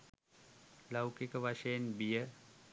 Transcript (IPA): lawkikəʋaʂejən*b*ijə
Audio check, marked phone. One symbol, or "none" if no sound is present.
b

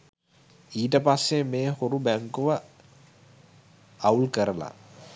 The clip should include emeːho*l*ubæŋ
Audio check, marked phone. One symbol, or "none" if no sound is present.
ɾ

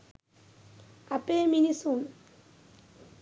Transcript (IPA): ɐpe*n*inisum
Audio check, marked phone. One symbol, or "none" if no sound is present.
m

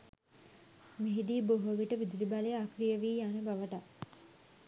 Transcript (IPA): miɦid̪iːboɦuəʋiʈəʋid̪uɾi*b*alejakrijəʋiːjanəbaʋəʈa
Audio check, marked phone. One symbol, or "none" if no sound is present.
b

